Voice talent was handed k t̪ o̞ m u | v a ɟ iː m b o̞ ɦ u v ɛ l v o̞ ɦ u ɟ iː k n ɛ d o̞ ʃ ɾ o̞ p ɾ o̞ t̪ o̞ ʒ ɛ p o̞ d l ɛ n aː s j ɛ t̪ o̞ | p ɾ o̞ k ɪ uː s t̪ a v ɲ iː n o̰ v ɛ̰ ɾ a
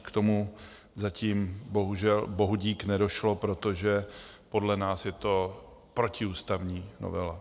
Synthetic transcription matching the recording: k t̪ o̞ m u | z a c iː m b o̞ ɦ u ʒ ɛ l b o̞ ɦ u ɟ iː k n ɛ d o̞ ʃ l o̞ p ɾ o̞ t̪ o̞ ʒ ɛ p o̞ d l ɛ n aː s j ɛ t̪ o̞ | p ɾ o̞ c ɪ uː s t̪ a v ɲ iː n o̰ v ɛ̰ l a